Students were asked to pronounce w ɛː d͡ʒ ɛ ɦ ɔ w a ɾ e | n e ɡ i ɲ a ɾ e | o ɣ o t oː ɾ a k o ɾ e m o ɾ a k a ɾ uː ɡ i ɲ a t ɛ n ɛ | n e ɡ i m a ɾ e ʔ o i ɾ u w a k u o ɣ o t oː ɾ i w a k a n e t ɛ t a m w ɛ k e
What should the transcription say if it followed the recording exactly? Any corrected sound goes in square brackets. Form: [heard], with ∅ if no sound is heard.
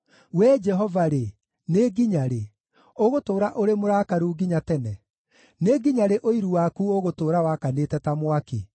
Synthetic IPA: w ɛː d͡ʒ ɛ ɦ ɔ [v] a ɾ e | n e ɡ i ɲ a ɾ e | o ɣ o t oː ɾ a [ʔ] o ɾ e m o ɾ a k a ɾ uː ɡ i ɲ a t ɛ n ɛ | n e ɡ i [ɲ] a ɾ e ʔ o i ɾ u w a k u o ɣ o t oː ɾ [a] w a k a n e t ɛ t a m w [a] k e